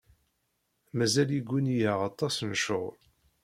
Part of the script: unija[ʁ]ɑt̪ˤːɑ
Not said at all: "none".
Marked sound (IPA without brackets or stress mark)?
ʁ